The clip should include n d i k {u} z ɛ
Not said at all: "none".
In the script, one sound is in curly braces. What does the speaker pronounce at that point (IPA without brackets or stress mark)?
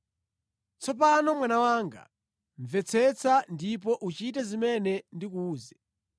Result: uː